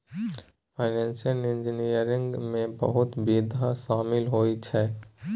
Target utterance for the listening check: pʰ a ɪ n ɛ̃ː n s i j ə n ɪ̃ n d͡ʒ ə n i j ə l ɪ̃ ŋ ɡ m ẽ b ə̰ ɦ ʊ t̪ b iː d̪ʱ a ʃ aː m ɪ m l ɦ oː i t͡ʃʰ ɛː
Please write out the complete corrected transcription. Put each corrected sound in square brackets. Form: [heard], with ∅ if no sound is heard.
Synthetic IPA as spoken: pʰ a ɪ n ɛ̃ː n s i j ə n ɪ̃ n d͡ʒ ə n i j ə [ɾ] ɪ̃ ŋ ɡ m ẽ b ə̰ ɦ ʊ t̪ b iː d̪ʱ a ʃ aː m ɪ [∅] l ɦ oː i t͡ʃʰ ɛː